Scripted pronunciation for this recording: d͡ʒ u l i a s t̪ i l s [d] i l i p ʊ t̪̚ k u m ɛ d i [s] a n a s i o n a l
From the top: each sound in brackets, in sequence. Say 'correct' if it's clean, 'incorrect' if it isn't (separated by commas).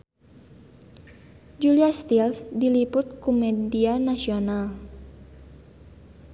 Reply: correct, incorrect